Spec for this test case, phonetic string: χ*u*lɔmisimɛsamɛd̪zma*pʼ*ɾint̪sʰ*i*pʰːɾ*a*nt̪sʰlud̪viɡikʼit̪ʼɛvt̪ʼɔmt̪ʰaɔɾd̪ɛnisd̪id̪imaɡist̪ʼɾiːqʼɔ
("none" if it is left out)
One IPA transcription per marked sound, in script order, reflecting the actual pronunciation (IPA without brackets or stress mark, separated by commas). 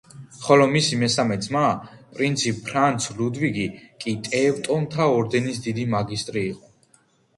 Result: ɔ, pʼ, i, a